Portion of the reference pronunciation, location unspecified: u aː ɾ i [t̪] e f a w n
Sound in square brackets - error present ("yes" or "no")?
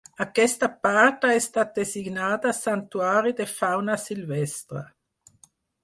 yes